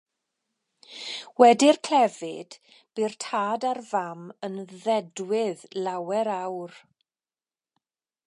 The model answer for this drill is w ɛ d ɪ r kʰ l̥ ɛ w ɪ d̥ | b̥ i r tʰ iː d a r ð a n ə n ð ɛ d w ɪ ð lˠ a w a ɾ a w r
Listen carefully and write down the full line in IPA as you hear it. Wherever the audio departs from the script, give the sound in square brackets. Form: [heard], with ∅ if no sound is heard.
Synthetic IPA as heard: w ɛ d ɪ r kʰ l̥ ɛ [v] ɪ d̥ | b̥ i r tʰ [aː] d a r [v] a [m] ə n ð ɛ d w ɪ ð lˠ a w [ɛ] ɾ a w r